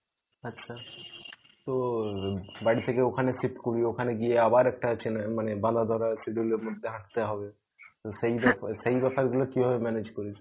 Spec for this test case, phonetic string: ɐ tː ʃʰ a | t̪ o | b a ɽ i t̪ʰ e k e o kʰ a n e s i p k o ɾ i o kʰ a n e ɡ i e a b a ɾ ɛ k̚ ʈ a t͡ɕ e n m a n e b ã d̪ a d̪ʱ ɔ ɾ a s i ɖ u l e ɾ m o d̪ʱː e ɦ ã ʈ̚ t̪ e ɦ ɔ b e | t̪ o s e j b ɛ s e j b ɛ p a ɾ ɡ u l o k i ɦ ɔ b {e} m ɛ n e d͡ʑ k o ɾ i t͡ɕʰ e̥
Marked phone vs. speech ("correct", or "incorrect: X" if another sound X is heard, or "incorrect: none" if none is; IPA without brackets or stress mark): correct